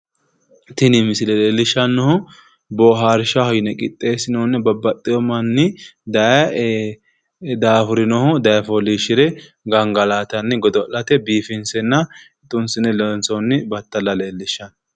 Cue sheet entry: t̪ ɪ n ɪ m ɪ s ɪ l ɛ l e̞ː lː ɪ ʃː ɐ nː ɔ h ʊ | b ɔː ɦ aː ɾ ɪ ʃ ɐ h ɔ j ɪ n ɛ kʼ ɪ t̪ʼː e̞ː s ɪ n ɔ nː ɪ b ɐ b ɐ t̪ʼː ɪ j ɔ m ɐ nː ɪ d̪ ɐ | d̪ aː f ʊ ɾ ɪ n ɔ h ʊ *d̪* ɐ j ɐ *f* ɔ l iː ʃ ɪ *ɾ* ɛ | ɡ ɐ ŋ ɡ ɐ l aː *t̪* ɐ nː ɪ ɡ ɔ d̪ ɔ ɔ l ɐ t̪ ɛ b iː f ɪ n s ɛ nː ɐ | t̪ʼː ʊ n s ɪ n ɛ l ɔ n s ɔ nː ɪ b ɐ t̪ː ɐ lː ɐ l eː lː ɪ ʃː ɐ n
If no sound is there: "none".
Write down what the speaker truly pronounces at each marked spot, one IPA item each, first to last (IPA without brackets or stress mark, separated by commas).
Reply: d̪, f, ɾ, t̪